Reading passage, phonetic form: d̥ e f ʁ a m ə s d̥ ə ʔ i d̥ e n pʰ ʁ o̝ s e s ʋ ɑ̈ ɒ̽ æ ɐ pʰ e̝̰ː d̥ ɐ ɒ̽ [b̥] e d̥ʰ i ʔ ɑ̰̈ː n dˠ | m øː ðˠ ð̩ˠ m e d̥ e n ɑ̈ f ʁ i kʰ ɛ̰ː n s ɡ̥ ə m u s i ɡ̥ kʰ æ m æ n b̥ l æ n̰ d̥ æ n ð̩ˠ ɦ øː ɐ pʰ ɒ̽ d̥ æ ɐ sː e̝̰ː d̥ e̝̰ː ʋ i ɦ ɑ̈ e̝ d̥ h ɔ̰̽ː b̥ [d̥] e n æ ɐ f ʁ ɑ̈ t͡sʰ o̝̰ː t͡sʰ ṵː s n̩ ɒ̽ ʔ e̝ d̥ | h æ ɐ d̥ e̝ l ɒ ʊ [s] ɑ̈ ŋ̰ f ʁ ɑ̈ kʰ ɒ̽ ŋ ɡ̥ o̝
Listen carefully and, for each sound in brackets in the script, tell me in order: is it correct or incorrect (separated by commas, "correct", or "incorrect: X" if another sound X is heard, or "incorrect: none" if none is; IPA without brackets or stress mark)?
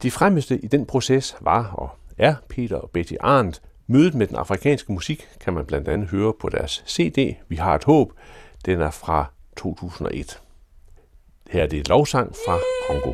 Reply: correct, correct, correct